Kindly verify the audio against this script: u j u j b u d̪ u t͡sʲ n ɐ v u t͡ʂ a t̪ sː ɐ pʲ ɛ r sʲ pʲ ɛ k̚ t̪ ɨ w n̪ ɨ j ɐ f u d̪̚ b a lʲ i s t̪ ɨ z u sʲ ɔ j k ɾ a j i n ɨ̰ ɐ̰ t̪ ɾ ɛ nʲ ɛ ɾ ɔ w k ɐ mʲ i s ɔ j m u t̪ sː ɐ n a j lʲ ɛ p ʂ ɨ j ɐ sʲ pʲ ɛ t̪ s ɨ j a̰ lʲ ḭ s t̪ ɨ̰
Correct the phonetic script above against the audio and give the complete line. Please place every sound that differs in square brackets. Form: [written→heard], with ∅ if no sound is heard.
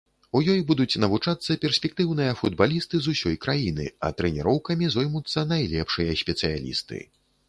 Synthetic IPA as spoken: u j [u→ɔ] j b u d̪ u t͡sʲ n ɐ v u t͡ʂ a t̪ sː ɐ pʲ ɛ r sʲ pʲ ɛ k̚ t̪ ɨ w n̪ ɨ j ɐ f u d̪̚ b a lʲ i s t̪ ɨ z u sʲ ɔ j k ɾ a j i n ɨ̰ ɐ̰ t̪ ɾ ɛ nʲ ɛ ɾ ɔ w k ɐ mʲ i [s→z] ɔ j m u t̪ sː ɐ n a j lʲ ɛ p ʂ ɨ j ɐ sʲ pʲ ɛ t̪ s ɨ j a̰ lʲ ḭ s t̪ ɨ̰